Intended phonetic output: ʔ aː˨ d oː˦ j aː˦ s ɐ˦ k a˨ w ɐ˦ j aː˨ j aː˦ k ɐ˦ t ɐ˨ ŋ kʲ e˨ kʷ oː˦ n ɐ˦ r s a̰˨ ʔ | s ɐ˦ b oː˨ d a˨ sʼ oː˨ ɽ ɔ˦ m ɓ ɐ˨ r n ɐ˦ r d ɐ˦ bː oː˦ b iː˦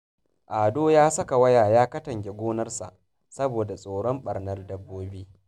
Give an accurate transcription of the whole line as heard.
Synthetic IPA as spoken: ʔ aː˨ d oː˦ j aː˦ s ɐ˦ k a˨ w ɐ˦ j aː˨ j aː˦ k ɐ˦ t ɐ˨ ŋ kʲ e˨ ɡʷ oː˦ n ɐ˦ r s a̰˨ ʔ | s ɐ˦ b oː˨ d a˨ sʼ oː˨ ɽ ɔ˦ m ɓ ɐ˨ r n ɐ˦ r d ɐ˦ bː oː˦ b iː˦